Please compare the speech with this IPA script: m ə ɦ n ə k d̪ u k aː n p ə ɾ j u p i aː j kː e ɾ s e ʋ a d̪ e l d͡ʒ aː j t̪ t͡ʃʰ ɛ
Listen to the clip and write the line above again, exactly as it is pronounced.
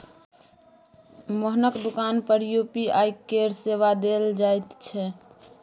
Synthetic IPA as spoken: m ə ɦ n ə k d̪ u k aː n p ə ɾ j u p i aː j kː e ɾ s e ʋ a d̪ e l d͡ʒ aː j t̪ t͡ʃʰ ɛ